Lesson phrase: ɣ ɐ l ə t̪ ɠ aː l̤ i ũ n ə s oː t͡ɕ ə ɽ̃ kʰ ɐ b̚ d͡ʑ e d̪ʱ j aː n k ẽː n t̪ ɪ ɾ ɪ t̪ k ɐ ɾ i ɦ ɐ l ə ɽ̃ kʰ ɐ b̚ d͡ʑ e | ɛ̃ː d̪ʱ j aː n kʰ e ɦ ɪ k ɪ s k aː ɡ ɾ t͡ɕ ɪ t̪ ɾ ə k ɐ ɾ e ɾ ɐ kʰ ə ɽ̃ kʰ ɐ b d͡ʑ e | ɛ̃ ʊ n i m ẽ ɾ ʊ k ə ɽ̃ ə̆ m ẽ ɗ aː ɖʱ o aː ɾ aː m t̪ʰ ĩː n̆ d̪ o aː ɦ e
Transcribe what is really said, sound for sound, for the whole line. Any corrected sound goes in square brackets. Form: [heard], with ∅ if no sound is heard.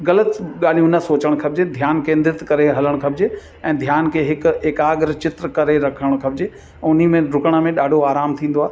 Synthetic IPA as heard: ɣ ɐ l ə t̪ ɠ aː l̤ i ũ n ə s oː t͡ɕ ə ɽ̃ kʰ ɐ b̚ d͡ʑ e d̪ʱ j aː n k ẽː n [d̪] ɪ ɾ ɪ t̪ k ɐ ɾ [e] ɦ ɐ l ə ɽ̃ kʰ ɐ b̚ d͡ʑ e | ɛ̃ː d̪ʱ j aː n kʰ e ɦ ɪ k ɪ [∅] k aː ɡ ɾ t͡ɕ ɪ t̪ ɾ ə k ɐ ɾ e ɾ ɐ kʰ ə ɽ̃ kʰ ɐ b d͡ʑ e | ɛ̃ ʊ n i m ẽ ɾ ʊ k ə ɽ̃ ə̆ m ẽ ɗ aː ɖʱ o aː ɾ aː m t̪ʰ ĩː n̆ d̪ o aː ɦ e